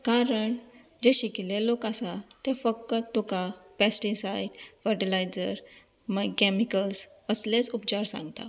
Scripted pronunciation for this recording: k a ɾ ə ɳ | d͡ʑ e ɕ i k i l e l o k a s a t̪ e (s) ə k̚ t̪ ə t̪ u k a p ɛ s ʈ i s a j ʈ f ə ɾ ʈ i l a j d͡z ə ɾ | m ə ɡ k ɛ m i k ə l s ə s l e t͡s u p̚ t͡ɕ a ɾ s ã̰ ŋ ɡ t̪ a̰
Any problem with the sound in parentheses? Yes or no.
yes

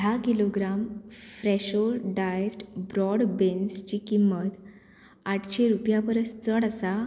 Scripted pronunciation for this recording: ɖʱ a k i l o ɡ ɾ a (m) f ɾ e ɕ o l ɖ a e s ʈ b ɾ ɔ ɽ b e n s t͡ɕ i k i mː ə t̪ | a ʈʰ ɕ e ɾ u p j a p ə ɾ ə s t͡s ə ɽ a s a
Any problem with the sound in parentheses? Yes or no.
no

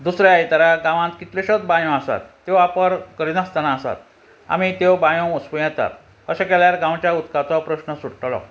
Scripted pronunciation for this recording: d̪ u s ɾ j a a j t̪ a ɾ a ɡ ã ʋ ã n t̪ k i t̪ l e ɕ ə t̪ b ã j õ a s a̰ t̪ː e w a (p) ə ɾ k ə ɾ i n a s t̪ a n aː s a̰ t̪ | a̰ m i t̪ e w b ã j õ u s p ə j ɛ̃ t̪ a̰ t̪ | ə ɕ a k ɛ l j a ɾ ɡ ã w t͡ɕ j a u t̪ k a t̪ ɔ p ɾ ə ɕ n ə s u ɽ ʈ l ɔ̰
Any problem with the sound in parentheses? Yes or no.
no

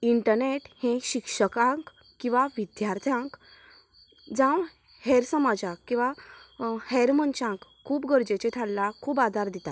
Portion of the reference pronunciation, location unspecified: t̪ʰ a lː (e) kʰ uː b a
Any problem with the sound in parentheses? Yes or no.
yes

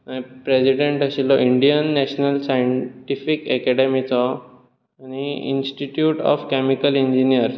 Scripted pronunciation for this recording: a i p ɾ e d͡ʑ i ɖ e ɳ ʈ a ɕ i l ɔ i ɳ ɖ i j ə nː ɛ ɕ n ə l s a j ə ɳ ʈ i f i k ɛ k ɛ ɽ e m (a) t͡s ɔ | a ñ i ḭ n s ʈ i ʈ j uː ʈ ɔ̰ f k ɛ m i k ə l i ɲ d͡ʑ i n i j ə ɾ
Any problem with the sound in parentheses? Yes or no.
yes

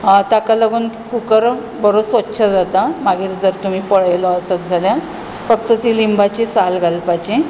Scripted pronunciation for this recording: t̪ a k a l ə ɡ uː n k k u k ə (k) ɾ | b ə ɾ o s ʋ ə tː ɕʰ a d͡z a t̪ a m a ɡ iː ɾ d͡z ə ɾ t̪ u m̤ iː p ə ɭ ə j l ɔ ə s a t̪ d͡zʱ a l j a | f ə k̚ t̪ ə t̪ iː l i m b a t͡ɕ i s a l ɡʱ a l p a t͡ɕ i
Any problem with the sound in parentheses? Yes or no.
yes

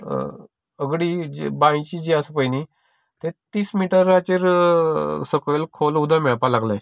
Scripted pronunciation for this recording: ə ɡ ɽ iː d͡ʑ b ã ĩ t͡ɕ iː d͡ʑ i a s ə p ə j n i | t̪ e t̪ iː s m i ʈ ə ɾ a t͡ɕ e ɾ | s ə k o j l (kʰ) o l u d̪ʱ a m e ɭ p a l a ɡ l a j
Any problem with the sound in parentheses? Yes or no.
no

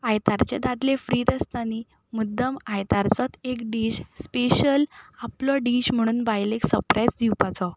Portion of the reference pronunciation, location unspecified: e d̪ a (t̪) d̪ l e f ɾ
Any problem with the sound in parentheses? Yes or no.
yes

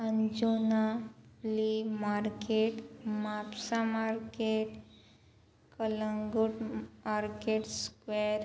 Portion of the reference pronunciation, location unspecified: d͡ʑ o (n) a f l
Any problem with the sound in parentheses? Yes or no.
no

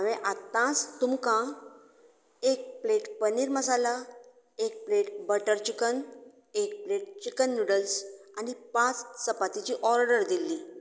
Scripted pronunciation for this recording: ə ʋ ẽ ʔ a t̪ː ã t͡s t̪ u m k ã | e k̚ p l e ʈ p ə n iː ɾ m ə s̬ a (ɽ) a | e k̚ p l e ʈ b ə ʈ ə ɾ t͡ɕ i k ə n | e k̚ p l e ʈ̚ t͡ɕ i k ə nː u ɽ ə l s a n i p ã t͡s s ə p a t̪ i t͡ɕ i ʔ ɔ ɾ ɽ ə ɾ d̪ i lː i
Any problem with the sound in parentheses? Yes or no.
yes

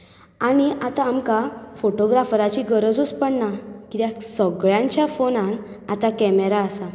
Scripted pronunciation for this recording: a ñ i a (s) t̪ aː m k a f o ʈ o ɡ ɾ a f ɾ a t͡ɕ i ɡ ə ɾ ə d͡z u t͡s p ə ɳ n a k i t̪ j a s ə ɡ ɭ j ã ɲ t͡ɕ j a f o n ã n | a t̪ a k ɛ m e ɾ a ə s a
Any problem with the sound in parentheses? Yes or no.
yes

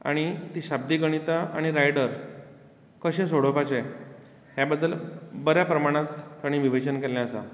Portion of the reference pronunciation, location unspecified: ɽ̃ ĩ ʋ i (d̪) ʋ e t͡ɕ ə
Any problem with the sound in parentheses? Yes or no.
yes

